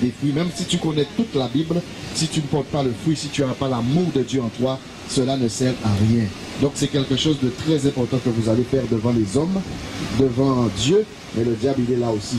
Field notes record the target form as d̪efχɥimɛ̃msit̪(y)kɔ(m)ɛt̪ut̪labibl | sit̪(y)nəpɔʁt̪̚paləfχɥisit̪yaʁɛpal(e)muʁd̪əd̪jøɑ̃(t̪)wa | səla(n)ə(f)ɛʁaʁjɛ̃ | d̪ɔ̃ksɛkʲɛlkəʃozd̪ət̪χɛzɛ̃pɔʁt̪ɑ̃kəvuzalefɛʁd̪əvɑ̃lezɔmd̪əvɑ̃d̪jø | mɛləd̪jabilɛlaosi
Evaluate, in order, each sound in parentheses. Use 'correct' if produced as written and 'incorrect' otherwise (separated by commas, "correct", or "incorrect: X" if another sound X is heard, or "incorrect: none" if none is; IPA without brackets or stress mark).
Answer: correct, incorrect: n, correct, incorrect: a, correct, correct, incorrect: s